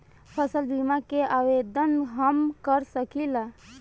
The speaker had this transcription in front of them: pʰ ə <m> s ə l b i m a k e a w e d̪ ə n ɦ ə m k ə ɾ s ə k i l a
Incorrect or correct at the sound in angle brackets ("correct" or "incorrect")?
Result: incorrect